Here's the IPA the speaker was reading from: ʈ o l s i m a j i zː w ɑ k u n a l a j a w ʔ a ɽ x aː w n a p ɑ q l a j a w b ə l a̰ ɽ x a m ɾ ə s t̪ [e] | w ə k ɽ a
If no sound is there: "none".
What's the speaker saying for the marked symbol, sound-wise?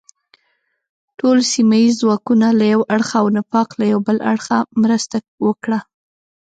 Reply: a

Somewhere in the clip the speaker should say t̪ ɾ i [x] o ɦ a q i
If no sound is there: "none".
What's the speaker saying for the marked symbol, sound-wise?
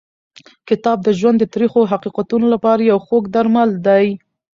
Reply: x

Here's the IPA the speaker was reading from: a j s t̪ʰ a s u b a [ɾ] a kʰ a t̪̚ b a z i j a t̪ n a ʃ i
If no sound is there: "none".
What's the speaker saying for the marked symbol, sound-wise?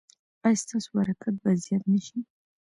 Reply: ɾ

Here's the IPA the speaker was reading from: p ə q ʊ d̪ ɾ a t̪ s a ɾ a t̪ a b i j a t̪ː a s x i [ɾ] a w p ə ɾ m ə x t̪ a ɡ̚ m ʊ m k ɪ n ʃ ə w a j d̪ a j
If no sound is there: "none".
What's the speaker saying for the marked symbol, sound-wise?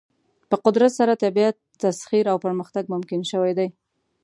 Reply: ɾ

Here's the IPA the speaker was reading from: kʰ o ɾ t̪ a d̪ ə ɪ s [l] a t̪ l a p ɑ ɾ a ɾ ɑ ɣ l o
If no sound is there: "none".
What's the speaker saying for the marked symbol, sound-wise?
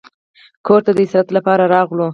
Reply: ɾ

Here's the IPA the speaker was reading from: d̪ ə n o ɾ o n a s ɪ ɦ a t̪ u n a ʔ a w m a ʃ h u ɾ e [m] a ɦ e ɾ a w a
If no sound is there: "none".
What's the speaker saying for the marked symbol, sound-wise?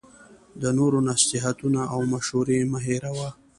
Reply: m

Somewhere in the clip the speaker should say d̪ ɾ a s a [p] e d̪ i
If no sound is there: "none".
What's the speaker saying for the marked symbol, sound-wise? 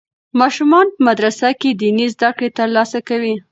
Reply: k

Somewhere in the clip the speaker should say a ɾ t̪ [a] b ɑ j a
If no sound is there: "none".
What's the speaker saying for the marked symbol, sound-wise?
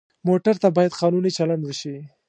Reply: a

